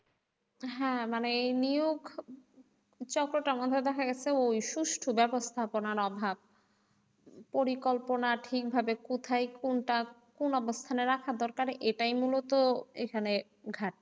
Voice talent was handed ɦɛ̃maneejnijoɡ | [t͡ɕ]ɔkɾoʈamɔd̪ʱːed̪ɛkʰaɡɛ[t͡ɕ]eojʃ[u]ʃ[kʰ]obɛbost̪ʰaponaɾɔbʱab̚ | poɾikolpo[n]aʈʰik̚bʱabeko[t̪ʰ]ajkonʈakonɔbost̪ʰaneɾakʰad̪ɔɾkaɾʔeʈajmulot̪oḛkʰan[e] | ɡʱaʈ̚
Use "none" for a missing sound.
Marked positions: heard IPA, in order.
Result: t͡ɕ, t͡ɕʰ, u, ʈʰ, n, t̪ʰ, e

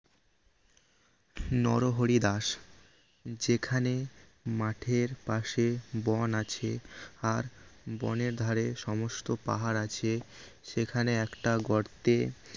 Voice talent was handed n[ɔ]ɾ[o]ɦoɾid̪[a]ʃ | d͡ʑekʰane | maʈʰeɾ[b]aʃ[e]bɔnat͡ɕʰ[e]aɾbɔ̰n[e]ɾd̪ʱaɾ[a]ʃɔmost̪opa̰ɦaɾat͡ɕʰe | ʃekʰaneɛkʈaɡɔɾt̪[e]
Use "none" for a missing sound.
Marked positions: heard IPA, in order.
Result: ɔ, o, a, p, e, e, e, e, e

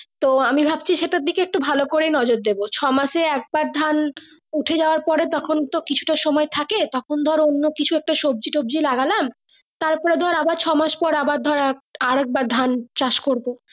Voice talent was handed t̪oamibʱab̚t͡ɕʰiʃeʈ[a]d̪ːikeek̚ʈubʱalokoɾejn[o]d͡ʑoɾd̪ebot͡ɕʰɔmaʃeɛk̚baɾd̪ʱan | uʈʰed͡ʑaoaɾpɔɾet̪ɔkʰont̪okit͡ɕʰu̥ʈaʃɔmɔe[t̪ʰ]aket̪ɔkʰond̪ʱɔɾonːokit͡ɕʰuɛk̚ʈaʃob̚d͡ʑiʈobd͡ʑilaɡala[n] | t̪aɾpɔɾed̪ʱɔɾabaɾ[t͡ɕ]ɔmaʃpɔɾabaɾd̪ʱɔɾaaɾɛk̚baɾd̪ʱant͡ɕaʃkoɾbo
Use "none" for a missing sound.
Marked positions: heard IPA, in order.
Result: a, ɔ, t̪ʰ, m, t͡ɕʰ

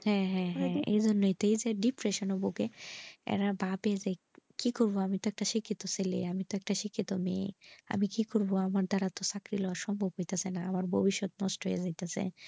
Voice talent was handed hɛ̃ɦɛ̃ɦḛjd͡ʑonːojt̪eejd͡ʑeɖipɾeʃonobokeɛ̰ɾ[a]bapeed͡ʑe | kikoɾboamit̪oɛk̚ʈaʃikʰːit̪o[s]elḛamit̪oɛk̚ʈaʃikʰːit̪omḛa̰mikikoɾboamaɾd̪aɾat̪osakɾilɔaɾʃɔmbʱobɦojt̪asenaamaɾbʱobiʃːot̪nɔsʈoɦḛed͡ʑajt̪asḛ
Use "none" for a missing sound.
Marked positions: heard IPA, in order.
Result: a, s

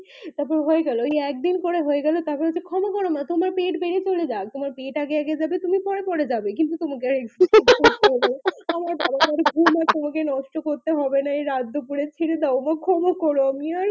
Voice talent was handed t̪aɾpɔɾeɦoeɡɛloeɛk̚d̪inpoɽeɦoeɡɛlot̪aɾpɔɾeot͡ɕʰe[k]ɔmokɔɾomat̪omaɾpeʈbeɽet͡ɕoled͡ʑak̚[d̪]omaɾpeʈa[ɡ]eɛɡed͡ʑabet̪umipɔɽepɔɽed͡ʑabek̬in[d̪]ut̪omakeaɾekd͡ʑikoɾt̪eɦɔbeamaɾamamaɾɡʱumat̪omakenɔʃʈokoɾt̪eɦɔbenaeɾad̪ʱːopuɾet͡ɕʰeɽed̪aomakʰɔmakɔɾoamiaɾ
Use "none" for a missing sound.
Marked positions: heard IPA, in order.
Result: kʰ, t̪, ɡ, t̪

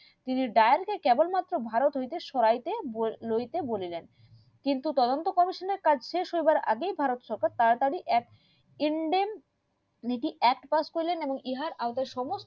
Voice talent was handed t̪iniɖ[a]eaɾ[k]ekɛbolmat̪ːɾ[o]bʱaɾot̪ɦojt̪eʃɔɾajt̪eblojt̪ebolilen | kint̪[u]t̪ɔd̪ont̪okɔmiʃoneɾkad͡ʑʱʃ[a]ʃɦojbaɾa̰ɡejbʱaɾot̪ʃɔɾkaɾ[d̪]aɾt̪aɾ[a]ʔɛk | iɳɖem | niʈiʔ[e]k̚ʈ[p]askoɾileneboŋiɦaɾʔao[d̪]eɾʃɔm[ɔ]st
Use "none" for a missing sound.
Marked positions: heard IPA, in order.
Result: a, k, o, u, e, t̪, i, ɛ, p, t̪, o

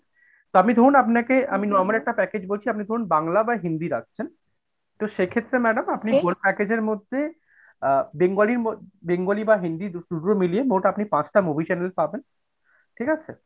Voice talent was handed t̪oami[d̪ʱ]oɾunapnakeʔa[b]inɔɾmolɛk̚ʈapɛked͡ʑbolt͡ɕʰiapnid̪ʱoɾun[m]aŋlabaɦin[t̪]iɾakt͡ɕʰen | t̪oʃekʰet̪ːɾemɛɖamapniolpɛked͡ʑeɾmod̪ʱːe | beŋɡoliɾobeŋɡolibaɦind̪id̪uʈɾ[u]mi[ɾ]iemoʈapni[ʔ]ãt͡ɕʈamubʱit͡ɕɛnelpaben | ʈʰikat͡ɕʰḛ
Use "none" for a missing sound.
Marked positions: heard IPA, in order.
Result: d̪ʱ, m, b, d̪, o, l, p

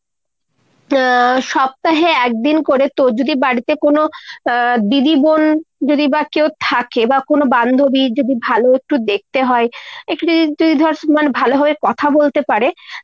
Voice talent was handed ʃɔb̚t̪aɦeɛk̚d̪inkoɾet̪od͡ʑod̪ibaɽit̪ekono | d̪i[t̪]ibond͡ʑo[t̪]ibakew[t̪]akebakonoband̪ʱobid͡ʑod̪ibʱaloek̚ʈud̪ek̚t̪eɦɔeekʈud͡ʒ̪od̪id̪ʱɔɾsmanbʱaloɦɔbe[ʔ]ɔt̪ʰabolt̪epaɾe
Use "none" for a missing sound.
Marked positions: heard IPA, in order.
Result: d̪, d̪, t̪ʰ, k

